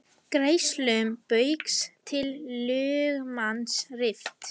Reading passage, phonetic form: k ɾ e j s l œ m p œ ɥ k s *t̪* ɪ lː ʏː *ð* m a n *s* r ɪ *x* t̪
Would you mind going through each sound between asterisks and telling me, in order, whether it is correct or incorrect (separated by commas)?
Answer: incorrect, incorrect, correct, incorrect